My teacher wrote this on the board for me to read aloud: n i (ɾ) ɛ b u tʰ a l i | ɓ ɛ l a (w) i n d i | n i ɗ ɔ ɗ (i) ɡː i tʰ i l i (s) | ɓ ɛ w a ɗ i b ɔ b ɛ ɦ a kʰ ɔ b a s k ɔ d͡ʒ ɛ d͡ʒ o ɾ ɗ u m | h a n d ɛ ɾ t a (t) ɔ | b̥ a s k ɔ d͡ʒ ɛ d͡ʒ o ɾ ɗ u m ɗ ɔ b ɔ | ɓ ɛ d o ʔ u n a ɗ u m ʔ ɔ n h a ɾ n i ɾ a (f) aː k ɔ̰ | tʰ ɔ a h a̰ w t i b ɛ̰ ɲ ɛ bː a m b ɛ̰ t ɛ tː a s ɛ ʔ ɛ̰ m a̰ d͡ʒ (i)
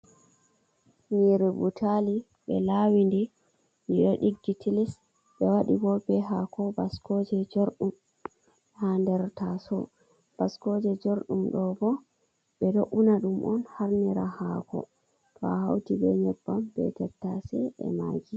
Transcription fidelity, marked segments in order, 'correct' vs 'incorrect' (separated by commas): correct, correct, correct, correct, incorrect, incorrect, correct